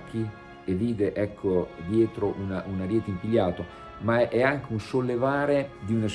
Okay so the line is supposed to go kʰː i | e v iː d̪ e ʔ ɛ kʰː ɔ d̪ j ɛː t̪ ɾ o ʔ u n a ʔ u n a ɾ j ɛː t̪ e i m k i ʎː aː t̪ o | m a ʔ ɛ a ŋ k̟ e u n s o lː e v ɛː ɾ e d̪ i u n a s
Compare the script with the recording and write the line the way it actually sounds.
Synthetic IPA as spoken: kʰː i | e v iː d̪ e ʔ ɛ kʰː o d̪ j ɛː t̪ ɾ o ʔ u n a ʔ u n a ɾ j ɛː t̪ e i m p i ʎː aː t̪ o | m a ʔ ɛ a ŋ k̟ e u n s o lː e v aː ɾ e d̪ i u n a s